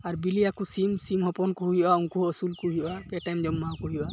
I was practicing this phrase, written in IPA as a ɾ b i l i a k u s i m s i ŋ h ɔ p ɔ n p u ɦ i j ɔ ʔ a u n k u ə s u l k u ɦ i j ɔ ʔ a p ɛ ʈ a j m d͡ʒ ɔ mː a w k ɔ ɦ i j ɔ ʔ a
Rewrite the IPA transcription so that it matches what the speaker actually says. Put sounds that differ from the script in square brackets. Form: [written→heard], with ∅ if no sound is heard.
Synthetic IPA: a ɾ b i l i a k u s i m s i [ŋ→m] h ɔ p ɔ n [p→k] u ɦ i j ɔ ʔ a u [n→ŋ] k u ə s u l k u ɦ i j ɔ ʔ a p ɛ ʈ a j m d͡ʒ ɔ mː a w k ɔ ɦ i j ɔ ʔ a